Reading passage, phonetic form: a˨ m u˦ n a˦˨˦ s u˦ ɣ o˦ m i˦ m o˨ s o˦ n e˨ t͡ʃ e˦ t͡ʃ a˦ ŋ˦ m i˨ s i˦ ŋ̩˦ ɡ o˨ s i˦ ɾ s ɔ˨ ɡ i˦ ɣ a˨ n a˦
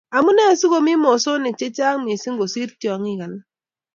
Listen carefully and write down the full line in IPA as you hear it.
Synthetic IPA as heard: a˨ m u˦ n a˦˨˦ s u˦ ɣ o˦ m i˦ m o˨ s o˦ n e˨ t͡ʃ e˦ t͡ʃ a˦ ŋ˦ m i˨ s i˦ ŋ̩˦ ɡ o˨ s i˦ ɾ t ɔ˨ ŋ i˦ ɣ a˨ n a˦

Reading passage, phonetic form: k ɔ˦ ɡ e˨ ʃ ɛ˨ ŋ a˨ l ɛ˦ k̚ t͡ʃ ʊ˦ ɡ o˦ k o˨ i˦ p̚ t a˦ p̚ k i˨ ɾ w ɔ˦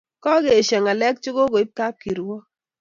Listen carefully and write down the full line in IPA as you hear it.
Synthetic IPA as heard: k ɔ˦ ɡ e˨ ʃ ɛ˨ ŋ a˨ l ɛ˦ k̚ t͡ʃ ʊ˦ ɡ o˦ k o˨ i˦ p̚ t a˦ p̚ k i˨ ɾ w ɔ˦

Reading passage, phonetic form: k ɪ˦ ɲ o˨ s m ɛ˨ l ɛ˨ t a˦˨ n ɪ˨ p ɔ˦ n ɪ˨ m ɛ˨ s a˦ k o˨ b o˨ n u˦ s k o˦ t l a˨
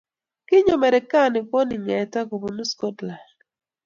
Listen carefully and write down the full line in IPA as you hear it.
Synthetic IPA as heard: k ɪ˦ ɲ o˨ m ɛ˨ ɾ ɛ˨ k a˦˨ n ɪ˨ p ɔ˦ n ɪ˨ ɲ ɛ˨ t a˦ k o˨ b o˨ n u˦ s k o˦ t l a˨

